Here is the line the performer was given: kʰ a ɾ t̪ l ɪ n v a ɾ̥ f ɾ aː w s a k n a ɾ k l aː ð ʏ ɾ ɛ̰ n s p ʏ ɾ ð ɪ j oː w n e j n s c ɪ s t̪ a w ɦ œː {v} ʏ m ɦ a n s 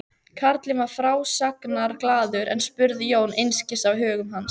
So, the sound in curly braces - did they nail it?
no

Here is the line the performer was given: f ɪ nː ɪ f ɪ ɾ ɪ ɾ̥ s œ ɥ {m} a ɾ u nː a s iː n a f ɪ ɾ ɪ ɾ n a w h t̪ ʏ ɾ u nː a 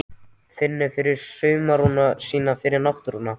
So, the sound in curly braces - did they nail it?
yes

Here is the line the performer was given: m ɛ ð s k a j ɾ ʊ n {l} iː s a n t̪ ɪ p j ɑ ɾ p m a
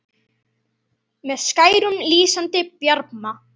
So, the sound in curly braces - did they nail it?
yes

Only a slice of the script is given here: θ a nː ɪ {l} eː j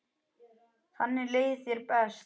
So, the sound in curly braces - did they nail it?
yes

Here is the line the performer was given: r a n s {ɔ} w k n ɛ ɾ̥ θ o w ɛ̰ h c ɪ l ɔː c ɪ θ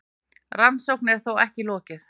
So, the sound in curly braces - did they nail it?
no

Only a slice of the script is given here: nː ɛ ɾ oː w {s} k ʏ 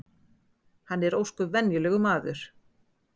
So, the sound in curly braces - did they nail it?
yes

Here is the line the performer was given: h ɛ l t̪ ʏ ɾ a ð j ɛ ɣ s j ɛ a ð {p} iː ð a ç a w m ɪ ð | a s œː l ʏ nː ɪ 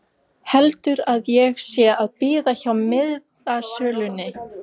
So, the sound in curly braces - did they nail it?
yes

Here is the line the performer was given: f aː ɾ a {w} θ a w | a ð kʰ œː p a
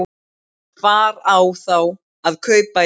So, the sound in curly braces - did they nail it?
yes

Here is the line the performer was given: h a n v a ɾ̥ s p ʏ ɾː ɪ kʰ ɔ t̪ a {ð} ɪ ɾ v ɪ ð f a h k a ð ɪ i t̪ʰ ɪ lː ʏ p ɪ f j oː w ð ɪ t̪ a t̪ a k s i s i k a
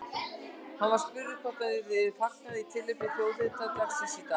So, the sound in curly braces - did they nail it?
yes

